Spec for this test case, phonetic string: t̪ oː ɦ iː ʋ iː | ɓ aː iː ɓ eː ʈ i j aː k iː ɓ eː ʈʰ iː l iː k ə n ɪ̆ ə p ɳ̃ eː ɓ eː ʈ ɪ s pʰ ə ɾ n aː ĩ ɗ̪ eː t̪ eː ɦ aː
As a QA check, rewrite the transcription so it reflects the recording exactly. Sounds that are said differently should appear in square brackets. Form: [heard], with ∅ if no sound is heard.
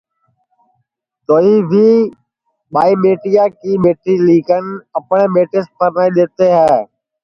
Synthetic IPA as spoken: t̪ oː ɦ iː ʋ iː | ɓ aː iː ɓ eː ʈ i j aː k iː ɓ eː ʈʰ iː l iː k ə n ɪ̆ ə p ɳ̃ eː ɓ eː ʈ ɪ s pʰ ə ɾ n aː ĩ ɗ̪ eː t̪ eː ɦ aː

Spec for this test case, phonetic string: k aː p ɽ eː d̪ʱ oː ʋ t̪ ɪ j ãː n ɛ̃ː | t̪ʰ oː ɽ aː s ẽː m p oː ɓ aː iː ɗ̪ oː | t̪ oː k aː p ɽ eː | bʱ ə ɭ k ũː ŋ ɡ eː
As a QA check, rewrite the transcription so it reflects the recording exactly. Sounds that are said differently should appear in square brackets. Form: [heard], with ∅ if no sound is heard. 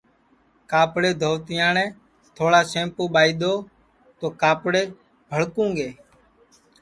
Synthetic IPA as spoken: k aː p ɽ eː d̪ʱ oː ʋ t̪ ɪ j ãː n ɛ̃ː | t̪ʰ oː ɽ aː s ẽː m p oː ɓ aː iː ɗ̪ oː | t̪ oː k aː p ɽ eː | bʱ ə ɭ k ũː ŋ ɡ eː

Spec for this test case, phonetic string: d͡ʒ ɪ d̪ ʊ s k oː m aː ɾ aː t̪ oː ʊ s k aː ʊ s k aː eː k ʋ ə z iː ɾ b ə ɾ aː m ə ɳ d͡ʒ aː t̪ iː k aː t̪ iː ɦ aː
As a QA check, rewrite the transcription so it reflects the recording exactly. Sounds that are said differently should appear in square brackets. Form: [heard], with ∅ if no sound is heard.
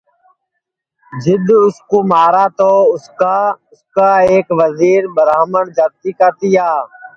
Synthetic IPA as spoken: d͡ʒ ɪ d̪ ʊ s k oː m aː ɾ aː t̪ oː ʊ s k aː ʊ s k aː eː k ʋ ə z iː ɾ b ə ɾ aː m ə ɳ d͡ʒ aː t̪ iː k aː t̪ iː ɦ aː

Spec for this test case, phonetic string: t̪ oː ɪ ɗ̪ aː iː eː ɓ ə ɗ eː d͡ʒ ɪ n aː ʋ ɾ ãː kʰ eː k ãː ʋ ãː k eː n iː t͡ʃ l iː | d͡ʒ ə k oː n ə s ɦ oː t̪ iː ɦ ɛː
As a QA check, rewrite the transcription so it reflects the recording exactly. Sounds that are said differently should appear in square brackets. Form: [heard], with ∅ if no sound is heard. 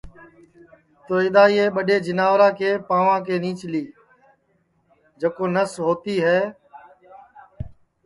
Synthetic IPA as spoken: t̪ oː ɪ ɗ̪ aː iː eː ɓ ə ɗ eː d͡ʒ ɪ n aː ʋ ɾ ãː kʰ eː [p] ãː ʋ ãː k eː n iː t͡ʃ l iː | d͡ʒ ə k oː n ə s ɦ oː t̪ iː ɦ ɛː

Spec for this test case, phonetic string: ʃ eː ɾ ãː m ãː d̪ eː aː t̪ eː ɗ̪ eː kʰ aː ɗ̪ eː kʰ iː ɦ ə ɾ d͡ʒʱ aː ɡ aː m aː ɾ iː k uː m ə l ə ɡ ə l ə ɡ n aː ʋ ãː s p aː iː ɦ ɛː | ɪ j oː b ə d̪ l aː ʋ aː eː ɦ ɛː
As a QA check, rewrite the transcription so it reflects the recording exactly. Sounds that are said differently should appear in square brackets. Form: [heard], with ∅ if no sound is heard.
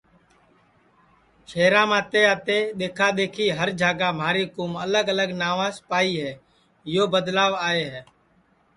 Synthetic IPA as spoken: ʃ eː ɾ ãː m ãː [t̪] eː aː t̪ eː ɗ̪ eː kʰ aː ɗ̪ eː kʰ iː ɦ ə ɾ d͡ʒʱ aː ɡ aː m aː ɾ iː k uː m ə l ə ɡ ə l ə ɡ n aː ʋ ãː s p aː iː ɦ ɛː | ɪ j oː b ə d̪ l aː ʋ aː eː ɦ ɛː

